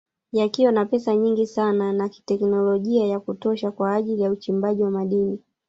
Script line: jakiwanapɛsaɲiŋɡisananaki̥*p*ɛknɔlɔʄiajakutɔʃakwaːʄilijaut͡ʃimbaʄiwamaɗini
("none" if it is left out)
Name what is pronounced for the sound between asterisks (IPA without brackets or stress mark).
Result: t